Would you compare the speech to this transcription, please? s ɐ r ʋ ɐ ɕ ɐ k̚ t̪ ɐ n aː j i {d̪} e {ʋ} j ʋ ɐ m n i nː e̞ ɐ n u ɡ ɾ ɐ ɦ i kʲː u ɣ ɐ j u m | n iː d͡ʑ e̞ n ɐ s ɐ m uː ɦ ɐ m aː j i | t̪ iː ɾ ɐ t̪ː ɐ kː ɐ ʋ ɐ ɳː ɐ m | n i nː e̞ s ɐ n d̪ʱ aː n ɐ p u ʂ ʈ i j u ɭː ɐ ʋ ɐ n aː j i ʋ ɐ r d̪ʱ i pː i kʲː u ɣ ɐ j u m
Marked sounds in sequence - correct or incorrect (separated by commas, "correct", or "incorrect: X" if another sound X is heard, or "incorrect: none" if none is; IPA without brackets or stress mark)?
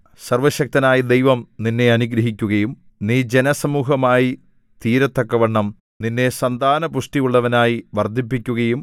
correct, incorrect: none